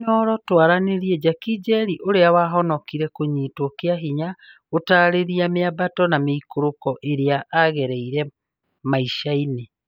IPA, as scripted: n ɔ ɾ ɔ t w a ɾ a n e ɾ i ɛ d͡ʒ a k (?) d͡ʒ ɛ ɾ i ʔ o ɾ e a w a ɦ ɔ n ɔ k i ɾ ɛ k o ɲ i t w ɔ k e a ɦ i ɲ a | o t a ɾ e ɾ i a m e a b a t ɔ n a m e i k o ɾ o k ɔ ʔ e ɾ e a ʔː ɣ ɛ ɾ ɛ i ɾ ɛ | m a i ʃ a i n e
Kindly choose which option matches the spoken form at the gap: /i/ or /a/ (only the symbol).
i